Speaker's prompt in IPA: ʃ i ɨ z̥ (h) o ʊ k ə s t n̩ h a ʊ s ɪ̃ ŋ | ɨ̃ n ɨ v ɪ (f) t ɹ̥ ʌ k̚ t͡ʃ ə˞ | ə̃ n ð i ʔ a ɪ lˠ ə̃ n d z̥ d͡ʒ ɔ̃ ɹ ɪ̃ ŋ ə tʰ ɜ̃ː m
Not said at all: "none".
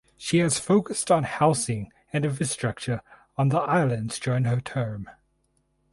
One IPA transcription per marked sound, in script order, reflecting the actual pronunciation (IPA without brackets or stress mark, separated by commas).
f, s